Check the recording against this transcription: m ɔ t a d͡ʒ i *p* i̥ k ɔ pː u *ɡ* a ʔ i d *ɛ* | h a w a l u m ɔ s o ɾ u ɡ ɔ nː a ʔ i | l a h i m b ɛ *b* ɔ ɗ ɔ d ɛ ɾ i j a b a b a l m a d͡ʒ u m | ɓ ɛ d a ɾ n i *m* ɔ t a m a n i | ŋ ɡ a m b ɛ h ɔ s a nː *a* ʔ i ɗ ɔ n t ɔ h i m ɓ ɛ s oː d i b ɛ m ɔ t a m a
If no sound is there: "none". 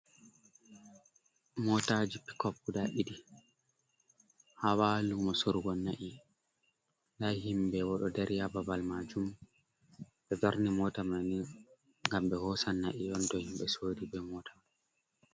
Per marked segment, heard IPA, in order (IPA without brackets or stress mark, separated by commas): p, d, i, w, m, a